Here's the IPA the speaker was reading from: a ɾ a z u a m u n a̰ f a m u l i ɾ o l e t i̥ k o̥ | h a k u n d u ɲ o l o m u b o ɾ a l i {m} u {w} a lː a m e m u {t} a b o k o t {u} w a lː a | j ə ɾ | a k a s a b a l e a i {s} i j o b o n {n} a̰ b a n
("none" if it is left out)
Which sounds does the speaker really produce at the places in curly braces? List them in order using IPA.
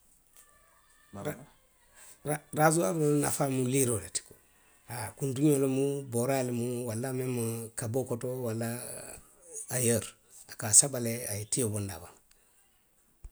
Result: m, w, k, o, t, d

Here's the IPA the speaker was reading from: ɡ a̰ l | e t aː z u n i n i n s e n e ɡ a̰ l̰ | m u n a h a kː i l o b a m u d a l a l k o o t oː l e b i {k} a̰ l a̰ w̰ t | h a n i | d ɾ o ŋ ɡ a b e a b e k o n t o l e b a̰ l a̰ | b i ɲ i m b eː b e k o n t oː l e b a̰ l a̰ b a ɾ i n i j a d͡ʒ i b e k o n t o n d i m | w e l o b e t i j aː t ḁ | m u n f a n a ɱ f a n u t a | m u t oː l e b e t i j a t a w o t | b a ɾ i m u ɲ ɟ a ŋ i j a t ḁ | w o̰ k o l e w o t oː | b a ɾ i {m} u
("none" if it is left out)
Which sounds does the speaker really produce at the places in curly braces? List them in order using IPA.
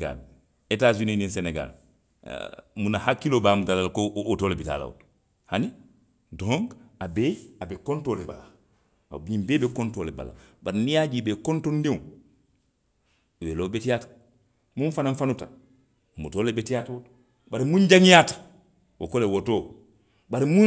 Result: t, m

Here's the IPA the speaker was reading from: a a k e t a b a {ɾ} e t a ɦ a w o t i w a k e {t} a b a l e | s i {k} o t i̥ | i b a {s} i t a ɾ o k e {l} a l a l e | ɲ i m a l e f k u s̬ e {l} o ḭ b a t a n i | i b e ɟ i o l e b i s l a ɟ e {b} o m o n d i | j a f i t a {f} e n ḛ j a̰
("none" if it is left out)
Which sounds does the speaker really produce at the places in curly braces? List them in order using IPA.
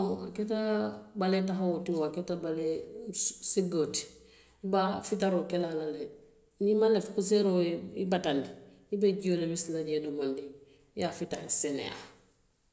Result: l, t, ɡ, f, l, ɾ, d, s

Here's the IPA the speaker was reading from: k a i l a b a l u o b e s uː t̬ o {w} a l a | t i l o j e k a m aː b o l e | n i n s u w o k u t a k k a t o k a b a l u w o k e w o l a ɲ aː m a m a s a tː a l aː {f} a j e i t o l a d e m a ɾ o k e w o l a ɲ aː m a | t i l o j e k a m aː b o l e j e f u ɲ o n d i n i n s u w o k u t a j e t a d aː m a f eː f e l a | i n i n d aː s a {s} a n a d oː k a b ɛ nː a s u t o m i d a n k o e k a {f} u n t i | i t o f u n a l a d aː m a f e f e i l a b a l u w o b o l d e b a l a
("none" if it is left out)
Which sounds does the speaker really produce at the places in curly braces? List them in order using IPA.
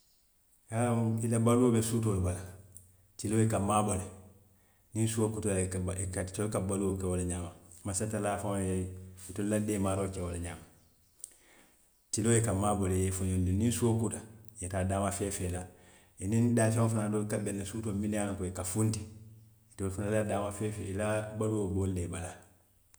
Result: b, f, f, f

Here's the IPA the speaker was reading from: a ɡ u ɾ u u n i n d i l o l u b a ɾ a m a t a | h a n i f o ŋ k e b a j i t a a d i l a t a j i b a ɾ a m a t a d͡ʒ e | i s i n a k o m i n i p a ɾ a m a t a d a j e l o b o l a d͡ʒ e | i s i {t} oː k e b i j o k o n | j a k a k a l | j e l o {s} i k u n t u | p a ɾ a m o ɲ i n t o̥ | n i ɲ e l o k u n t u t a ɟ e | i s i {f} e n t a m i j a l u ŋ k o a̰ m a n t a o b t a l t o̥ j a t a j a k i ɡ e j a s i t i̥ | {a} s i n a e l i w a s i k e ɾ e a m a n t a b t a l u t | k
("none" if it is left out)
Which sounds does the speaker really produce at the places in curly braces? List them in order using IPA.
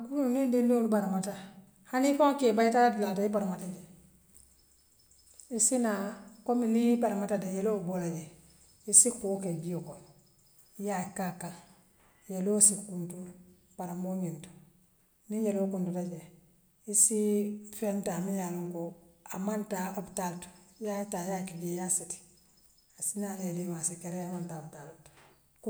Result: k, s, f, a

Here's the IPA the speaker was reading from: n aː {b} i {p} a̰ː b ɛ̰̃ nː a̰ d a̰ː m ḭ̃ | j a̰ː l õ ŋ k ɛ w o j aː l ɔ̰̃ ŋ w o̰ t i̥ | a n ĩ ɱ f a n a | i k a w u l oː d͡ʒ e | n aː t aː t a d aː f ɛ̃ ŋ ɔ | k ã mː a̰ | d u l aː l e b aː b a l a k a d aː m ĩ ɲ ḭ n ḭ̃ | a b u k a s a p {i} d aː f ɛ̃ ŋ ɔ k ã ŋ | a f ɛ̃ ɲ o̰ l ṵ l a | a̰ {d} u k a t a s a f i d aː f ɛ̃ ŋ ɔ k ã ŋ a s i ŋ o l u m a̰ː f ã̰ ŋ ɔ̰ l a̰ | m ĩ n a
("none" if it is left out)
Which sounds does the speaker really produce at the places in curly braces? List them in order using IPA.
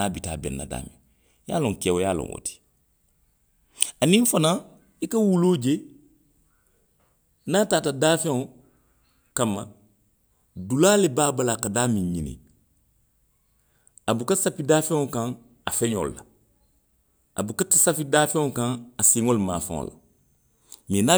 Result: b, t, i, b

